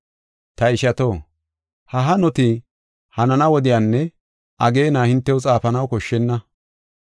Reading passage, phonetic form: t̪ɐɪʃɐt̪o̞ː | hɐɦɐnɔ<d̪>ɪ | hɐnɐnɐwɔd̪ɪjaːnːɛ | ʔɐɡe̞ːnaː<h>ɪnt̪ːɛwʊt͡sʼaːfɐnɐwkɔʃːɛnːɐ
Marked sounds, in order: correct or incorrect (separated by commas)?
incorrect, correct